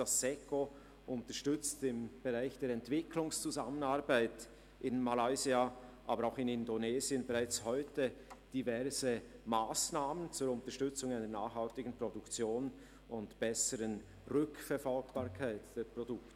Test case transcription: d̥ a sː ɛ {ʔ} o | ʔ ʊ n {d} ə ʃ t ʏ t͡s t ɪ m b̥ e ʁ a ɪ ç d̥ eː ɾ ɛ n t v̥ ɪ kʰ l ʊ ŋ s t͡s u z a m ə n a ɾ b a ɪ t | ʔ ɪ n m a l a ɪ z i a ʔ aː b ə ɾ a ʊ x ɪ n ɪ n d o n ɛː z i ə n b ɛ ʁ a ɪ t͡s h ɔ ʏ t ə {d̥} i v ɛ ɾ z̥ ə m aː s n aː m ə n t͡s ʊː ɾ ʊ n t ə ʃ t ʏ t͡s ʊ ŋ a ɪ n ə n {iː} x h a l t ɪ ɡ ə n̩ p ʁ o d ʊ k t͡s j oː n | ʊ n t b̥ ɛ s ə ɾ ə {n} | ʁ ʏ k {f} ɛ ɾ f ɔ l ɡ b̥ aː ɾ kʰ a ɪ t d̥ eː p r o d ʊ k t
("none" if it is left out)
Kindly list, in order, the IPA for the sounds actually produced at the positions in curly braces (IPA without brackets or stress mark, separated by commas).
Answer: k, t, d̥, aː, n, f